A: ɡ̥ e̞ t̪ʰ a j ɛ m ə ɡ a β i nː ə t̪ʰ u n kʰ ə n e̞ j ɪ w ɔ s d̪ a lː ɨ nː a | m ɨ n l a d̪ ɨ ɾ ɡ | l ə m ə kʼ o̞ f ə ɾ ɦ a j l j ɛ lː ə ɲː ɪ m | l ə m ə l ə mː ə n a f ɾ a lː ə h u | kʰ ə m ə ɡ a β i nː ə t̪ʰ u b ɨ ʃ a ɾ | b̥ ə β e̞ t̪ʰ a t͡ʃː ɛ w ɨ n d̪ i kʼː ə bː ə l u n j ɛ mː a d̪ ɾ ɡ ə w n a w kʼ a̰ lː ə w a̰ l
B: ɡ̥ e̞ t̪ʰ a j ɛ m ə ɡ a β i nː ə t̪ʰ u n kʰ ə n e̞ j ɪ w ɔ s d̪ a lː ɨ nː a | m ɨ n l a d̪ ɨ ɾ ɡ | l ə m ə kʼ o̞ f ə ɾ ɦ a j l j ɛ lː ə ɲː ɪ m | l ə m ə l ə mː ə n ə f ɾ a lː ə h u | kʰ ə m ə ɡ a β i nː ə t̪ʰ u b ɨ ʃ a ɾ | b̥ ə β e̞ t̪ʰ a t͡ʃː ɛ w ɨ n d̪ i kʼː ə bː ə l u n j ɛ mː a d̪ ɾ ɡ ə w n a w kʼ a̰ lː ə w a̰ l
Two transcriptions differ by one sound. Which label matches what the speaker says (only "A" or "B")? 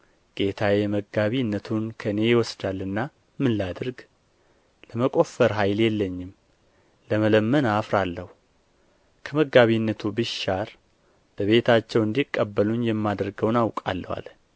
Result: A